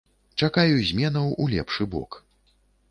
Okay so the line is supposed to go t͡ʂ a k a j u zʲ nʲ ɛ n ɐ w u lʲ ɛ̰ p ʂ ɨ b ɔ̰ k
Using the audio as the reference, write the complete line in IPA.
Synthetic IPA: t͡ʂ a k a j u zʲ mʲ ɛ n ɐ w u lʲ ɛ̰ p ʂ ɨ b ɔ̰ k